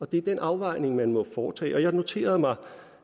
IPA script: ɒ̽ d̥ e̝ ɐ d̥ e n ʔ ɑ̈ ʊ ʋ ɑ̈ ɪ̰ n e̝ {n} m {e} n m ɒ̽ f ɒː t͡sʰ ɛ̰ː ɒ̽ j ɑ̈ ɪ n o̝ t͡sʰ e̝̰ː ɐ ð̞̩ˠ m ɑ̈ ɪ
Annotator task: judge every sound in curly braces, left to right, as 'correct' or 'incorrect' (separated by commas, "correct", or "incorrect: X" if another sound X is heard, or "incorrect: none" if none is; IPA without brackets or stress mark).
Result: incorrect: ŋ, incorrect: æ